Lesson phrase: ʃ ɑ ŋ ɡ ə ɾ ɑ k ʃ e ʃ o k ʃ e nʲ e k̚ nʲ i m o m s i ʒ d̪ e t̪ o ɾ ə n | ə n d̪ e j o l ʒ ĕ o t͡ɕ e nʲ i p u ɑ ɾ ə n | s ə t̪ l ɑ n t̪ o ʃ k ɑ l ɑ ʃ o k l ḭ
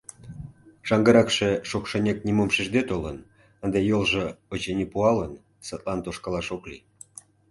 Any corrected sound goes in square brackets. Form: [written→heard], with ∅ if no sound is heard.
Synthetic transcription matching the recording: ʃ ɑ ŋ ɡ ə ɾ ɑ k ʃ e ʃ o k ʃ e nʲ e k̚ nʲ i m o m [s→ʃ] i ʒ d̪ e t̪ o [ɾ→l] ə n | ə n d̪ e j o l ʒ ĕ o t͡ɕ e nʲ i p u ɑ [ɾ→l] ə n | s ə t̪ l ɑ n t̪ o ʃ k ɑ l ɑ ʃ o k l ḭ